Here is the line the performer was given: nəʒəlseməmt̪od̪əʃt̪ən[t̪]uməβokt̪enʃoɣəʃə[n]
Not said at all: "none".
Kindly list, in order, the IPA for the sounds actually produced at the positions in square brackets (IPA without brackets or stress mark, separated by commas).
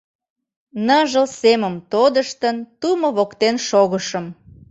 t̪, m